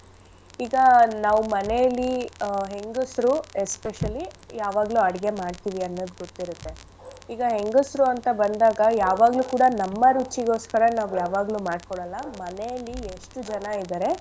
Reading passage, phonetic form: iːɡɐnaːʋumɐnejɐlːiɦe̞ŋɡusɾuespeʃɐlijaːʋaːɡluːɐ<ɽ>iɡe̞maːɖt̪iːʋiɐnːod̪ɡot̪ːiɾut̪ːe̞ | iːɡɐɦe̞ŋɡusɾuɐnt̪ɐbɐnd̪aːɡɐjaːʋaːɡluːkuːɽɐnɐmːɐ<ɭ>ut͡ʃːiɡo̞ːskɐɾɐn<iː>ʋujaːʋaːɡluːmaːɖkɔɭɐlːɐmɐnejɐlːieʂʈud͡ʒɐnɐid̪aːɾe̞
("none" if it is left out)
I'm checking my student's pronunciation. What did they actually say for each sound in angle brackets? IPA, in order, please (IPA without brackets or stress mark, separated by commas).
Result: ɽ, ɾ, aː